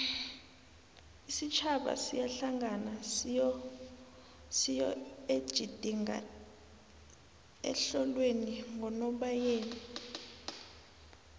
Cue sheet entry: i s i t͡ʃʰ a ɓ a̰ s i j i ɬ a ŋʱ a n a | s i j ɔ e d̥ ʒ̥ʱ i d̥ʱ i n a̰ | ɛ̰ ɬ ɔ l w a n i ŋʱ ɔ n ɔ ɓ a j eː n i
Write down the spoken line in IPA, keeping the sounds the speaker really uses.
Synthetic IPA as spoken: i s i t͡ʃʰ a ɓ a̰ s i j a ɬ a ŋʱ a n a | s i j ɔ e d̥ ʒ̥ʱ i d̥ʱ i ŋ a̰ | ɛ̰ ɬ ɔ l w e n i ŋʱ ɔ n ɔ ɓ a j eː n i